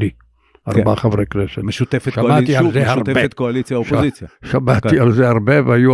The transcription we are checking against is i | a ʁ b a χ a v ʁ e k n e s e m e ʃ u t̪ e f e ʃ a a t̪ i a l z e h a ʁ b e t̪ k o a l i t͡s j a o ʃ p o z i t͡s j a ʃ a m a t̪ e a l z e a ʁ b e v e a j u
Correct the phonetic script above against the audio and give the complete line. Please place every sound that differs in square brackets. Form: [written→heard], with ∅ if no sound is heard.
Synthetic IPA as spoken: i | a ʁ b a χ a v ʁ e k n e s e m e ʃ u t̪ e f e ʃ a a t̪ i a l z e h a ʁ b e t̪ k o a l i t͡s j a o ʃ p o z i t͡s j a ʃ a m a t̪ [e→i] a l z e a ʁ b e v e a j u